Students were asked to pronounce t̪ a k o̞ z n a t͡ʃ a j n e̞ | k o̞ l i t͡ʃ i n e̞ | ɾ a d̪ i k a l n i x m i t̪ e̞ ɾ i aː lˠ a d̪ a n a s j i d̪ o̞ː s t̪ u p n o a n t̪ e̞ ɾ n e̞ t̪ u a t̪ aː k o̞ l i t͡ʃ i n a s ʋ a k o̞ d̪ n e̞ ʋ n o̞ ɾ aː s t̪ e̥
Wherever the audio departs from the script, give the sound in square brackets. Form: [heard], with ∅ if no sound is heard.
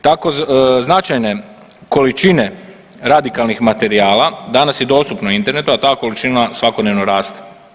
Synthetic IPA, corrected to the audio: t̪ a k o̞ z n a t͡ʃ a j n e̞ | k o̞ l i t͡ʃ i n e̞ | ɾ a d̪ i k a l n i x m [a] t̪ e̞ ɾ i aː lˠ a d̪ a n a s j [e] d̪ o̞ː s t̪ u p n o [i] n t̪ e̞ ɾ n e̞ t̪ u a t̪ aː k o̞ l i t͡ʃ i n a s ʋ a k o̞ d̪ n e̞ ʋ n o̞ ɾ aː s t̪ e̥